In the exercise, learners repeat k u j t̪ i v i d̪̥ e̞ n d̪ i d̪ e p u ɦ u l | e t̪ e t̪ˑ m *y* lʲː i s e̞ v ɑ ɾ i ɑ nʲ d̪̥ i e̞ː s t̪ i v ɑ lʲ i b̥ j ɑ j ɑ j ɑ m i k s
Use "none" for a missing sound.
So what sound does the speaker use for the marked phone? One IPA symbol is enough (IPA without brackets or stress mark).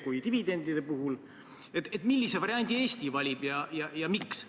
i